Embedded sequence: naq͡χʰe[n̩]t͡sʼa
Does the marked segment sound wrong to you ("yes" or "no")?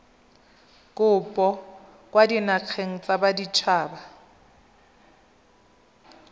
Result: yes